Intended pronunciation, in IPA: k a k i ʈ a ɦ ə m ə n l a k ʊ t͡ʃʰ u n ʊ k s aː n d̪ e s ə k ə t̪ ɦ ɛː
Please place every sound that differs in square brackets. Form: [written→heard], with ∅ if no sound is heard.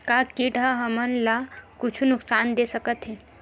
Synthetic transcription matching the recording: k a k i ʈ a ɦ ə m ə n l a k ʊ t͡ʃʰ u n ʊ k s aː n d̪ e s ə k ə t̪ ɦ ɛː